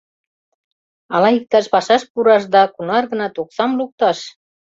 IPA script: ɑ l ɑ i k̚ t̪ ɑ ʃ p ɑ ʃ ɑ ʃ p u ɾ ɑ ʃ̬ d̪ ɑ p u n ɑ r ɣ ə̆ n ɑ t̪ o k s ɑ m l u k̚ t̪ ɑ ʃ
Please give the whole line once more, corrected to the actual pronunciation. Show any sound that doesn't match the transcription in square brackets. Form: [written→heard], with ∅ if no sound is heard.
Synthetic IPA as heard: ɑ l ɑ i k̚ t̪ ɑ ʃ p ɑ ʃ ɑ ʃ p u ɾ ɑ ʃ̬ d̪ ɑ [p→k] u n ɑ r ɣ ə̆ n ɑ t̪ o k s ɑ m l u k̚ t̪ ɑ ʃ